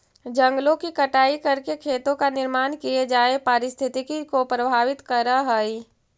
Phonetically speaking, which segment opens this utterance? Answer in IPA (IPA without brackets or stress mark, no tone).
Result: d͡ʒ